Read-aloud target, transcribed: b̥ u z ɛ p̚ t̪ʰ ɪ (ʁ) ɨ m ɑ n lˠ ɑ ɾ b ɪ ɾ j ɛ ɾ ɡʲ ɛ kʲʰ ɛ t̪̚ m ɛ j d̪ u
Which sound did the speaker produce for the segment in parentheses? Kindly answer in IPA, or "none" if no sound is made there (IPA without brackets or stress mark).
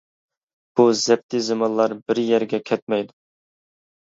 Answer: z